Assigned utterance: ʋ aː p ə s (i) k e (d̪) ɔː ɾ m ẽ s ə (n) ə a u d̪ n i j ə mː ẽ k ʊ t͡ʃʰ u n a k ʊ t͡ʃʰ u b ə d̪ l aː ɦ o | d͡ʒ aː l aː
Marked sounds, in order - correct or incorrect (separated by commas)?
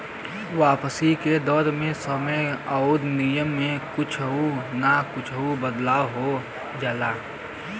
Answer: correct, correct, incorrect